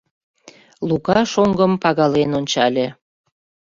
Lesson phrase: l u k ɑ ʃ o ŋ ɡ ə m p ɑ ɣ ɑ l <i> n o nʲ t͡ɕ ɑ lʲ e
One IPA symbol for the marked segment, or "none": e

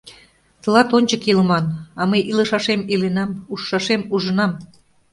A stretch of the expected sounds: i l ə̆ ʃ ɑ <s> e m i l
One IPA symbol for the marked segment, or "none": ʃ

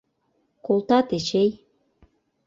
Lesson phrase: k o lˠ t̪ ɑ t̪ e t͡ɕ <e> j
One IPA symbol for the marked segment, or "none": e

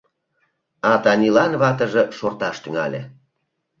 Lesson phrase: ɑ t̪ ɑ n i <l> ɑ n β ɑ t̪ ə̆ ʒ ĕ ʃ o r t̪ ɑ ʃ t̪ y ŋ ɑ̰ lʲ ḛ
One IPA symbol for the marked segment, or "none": l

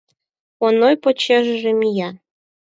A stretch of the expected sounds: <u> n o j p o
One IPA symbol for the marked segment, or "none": o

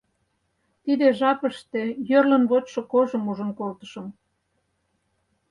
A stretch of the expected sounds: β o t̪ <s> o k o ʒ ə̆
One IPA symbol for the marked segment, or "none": ʃ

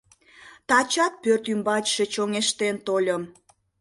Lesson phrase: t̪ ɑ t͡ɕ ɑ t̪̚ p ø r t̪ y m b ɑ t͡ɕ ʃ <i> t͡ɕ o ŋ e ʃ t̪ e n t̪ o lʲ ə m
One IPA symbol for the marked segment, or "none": e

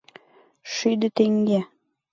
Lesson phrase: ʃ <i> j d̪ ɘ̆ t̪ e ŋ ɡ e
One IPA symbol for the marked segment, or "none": y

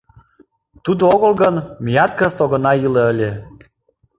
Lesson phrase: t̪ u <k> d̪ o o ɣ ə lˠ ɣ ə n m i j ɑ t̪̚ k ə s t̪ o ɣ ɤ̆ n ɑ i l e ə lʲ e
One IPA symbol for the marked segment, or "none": none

